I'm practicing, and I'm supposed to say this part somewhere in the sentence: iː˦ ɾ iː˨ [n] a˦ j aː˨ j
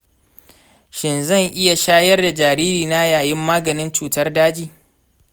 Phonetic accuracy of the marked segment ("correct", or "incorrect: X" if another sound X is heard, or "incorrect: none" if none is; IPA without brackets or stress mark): correct